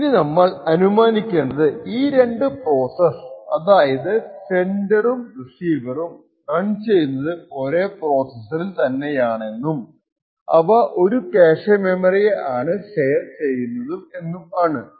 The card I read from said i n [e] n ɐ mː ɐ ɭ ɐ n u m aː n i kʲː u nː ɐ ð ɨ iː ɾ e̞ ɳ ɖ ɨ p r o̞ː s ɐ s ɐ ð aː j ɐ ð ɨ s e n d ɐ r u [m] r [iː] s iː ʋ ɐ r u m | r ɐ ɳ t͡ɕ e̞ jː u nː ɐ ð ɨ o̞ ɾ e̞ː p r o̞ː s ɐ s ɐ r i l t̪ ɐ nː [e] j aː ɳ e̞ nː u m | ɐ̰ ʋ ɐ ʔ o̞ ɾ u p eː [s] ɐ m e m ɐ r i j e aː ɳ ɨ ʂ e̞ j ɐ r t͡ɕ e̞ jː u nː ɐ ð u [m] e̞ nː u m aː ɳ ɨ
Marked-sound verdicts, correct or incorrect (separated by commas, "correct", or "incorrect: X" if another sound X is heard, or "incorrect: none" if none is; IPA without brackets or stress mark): incorrect: i, correct, incorrect: i, correct, incorrect: ʂ, correct